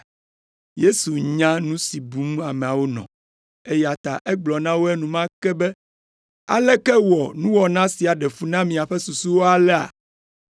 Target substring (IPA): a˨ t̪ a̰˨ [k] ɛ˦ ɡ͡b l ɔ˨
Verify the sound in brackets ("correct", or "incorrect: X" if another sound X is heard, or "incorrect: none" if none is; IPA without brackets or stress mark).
incorrect: ʔ